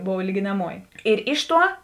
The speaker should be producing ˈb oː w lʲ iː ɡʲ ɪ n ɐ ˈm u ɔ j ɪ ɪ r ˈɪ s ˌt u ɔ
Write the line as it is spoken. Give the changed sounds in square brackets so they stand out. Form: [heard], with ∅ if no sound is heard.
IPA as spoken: ˈb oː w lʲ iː ɡʲ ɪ n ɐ ˈm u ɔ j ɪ ɪ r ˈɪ [ʃ] ˌt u ɔ